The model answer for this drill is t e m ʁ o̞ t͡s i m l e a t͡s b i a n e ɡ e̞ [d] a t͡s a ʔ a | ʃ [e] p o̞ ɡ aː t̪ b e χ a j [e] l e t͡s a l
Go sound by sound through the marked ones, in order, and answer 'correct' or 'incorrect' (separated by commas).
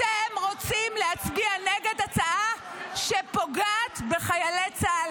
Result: correct, correct, incorrect